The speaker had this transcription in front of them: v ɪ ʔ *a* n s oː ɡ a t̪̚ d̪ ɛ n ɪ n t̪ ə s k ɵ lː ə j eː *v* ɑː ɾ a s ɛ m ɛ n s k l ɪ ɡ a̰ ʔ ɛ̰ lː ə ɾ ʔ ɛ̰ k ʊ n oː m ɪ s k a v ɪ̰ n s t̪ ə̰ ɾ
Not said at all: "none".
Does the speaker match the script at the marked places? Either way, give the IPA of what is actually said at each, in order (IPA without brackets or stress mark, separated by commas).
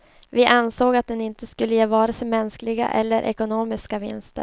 a, v